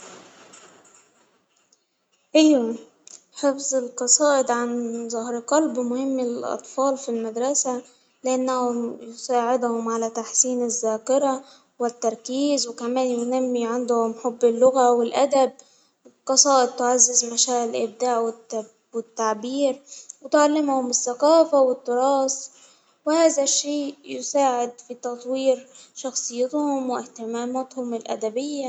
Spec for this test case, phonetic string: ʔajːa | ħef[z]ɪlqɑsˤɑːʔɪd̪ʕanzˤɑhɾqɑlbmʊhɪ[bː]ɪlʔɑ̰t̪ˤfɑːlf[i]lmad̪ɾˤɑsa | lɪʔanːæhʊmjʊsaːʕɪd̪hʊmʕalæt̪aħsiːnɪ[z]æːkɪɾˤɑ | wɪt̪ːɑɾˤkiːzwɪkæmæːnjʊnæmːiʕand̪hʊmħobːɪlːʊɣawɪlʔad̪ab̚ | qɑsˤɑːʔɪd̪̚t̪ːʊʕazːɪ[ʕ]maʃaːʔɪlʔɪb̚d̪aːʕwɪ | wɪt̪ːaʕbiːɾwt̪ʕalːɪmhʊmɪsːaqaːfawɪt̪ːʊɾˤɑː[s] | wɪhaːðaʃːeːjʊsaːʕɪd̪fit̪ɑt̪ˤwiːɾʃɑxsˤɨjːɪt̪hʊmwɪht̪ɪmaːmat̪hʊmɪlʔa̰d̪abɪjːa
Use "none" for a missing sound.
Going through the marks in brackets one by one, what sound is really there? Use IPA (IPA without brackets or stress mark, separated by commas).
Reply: z, mː, i, zː, z, s